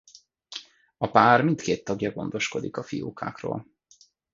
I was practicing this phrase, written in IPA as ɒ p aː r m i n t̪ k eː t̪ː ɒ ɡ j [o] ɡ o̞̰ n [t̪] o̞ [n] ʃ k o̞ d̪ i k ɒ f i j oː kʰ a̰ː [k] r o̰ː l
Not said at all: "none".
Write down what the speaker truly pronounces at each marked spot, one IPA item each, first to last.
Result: ɒ, d̪, none, k

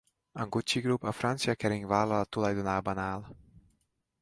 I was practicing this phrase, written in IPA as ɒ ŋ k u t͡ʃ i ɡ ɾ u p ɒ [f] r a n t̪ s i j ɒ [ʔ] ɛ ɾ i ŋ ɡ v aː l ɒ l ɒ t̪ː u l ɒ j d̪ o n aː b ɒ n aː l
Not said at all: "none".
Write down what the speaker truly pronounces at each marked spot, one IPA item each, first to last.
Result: f, k

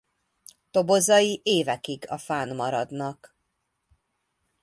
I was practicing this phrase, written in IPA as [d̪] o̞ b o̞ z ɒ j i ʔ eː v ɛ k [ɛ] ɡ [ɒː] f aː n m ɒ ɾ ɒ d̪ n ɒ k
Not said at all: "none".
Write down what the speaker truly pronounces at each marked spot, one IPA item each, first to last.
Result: t̪, i, ɒ

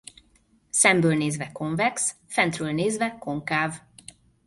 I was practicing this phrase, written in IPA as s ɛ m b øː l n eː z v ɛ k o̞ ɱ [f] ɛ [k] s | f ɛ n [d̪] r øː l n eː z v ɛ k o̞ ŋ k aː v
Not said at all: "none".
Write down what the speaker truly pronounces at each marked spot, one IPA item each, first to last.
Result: v, k, t̪

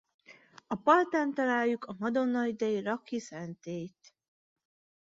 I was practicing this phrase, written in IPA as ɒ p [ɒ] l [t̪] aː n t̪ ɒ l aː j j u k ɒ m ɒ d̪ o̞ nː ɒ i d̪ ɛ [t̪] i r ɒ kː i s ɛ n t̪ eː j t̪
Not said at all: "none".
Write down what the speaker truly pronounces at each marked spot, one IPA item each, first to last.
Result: ɒ, t̪, none

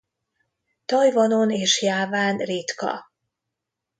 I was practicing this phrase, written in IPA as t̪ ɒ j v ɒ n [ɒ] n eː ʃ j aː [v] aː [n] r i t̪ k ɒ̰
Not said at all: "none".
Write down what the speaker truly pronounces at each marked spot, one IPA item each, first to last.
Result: o, v, n

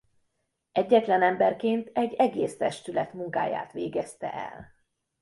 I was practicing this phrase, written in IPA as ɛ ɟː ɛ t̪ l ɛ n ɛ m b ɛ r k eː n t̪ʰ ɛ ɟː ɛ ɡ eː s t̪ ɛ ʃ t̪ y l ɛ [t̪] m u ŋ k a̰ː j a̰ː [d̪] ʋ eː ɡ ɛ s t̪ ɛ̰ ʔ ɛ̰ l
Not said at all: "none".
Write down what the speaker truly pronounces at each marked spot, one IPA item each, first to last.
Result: t̪, t̪

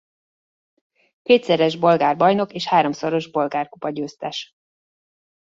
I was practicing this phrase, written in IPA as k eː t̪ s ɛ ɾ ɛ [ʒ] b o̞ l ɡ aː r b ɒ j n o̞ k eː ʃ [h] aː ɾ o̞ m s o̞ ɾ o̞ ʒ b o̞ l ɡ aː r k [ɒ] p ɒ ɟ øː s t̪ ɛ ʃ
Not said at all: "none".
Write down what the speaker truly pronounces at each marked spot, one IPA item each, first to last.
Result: ʒ, h, u

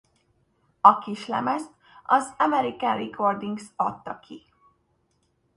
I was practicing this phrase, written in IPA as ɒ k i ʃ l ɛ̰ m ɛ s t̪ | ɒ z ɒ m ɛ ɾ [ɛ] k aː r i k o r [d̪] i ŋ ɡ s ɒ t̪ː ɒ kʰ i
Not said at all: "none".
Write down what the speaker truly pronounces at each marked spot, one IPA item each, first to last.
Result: i, d̪

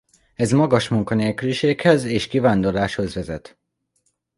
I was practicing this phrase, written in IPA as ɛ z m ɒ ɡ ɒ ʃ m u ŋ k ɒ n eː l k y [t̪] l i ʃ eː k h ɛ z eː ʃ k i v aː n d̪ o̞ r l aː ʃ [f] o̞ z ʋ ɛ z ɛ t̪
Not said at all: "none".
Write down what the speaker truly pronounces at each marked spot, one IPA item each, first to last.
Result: none, h

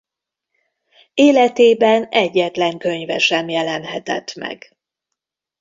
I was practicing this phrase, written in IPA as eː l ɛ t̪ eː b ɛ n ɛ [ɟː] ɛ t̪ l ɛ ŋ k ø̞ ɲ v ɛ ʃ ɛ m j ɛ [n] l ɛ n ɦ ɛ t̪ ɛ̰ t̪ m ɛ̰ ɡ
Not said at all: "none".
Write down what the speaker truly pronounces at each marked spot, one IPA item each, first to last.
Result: ɟː, none

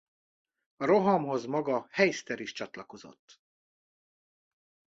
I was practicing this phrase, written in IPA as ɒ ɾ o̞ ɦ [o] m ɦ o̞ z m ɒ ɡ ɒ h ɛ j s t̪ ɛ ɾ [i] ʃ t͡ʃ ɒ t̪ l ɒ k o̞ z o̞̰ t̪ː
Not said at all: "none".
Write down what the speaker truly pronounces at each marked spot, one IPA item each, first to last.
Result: ɒ, i

